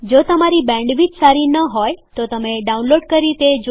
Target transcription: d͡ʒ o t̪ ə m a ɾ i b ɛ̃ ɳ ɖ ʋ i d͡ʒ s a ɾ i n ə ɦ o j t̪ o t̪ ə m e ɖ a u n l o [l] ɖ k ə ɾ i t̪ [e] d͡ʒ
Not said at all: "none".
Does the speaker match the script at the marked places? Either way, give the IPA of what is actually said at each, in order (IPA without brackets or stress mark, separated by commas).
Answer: none, e